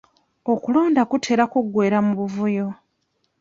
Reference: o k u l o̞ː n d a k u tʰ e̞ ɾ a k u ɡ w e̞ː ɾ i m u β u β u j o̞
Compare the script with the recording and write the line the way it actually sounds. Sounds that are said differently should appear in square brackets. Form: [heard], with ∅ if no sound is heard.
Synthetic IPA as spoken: o k u l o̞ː n d a k u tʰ e̞ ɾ a k u ɡ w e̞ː ɾ [a] m u β u [v] u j o̞